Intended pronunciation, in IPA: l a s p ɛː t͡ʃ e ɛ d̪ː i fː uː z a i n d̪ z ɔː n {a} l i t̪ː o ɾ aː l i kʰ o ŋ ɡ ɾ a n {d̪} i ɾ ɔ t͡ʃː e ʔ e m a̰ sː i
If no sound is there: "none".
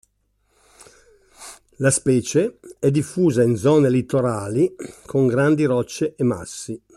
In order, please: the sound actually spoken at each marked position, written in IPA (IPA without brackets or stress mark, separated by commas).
e, d̪